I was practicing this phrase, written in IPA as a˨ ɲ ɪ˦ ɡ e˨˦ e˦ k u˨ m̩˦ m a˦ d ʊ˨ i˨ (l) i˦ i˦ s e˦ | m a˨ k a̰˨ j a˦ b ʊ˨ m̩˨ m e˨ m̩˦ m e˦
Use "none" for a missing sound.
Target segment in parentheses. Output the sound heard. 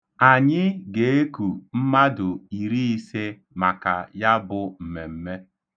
ɾ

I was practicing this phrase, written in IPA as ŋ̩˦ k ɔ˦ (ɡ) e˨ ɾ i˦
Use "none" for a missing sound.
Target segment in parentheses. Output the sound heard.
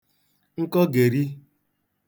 ɡ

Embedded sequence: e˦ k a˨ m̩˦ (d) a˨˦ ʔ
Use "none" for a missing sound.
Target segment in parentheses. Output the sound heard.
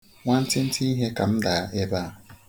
d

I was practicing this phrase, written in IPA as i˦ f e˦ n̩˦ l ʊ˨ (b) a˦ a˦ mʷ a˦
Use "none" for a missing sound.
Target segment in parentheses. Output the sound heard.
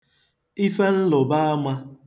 b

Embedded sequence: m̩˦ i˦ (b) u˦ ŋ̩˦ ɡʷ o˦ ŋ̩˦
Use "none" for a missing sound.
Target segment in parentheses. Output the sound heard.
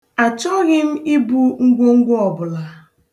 b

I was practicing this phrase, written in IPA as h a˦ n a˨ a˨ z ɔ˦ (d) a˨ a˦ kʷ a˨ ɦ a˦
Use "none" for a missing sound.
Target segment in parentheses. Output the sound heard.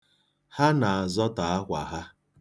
t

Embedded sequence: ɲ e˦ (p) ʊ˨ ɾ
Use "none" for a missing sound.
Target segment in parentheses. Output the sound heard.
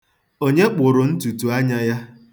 k͡p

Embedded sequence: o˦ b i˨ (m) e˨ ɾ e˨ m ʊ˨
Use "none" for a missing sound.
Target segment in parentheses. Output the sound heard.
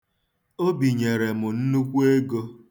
ɲ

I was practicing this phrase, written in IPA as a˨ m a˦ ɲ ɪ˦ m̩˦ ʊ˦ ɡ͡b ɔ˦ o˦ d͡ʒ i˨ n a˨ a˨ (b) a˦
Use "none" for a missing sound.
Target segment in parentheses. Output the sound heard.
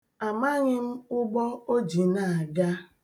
ɡ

